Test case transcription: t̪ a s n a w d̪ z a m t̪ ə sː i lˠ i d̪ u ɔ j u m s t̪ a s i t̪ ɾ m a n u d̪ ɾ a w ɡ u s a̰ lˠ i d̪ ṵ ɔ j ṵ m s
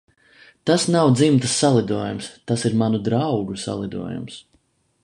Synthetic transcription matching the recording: t̪ a s n a w d̪ z i m t̪ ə sː a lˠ i d̪ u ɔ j u m s t̪ a s i ɾ m a n u d̪ ɾ a w ɡ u s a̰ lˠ i d̪ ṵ ɔ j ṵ m s